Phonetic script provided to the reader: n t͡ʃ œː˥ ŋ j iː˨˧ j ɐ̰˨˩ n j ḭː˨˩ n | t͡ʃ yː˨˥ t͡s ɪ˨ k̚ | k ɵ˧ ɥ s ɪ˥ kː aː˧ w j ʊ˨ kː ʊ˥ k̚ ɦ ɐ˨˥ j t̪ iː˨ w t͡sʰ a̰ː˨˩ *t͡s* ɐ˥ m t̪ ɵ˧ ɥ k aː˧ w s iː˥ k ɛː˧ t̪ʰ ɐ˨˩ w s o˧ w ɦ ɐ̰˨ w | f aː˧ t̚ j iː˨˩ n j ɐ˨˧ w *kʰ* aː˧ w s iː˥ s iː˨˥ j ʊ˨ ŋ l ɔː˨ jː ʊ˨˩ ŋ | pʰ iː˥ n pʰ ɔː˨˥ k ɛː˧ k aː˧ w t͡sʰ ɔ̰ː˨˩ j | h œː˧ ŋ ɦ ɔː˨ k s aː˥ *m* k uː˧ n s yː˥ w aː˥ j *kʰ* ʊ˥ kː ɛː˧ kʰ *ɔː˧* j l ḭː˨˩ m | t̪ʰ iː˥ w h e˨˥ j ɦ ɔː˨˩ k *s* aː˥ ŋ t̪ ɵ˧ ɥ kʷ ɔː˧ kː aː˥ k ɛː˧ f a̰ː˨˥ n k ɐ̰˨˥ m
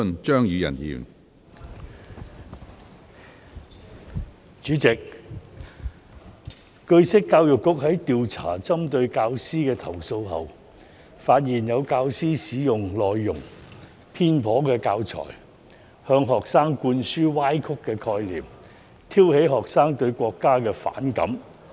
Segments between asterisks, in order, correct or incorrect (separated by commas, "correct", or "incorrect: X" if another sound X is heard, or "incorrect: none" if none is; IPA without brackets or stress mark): correct, incorrect: k, incorrect: ŋ, correct, correct, correct